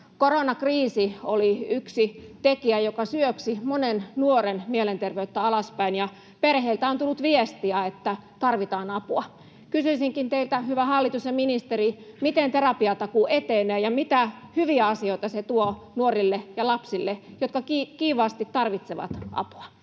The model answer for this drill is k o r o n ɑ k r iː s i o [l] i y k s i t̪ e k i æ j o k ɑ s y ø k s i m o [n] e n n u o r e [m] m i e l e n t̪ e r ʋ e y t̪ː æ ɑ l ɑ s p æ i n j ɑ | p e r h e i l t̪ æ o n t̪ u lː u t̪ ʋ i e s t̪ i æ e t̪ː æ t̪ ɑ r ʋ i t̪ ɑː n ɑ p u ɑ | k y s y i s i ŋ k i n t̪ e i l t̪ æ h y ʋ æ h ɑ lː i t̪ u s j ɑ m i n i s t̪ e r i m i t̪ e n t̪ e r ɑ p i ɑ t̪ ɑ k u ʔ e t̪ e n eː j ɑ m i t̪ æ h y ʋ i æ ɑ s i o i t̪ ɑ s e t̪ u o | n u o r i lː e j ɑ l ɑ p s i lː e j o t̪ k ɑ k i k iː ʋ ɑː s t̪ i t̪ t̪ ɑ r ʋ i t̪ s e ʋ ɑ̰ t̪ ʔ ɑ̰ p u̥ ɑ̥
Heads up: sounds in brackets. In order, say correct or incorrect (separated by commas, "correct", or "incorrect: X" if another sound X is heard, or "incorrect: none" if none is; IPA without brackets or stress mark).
correct, correct, incorrect: n